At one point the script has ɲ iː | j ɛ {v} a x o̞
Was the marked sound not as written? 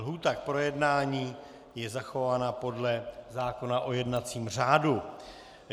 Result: yes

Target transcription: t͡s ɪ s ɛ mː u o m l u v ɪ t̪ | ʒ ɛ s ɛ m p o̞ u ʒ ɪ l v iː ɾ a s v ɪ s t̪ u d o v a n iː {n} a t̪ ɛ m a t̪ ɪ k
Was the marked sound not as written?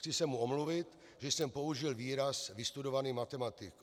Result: yes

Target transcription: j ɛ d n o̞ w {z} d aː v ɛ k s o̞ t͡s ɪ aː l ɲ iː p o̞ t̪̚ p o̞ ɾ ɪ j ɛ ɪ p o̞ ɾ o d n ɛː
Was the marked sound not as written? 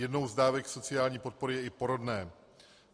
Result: no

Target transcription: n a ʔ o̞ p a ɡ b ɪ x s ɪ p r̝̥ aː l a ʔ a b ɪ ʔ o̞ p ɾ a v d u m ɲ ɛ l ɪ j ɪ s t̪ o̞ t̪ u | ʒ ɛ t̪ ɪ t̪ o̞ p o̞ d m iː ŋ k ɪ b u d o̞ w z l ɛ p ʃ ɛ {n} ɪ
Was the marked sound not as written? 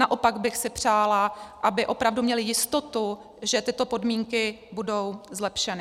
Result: no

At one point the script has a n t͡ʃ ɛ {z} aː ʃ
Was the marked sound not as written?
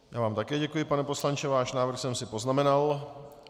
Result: yes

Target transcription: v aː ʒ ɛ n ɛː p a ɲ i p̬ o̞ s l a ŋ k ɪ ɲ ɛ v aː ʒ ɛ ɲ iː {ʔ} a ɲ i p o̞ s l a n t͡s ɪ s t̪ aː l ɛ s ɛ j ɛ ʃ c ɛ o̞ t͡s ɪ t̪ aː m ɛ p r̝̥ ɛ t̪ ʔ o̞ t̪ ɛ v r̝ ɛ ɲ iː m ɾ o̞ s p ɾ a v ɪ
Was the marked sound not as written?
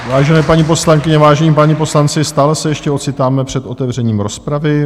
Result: yes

